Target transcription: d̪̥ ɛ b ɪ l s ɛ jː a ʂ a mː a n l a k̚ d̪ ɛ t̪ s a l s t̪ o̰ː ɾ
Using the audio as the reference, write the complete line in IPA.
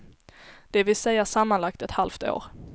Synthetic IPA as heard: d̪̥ ɛ v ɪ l s ɛ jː a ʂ a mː a n l a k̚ t̪ ɛ t̪ h a l f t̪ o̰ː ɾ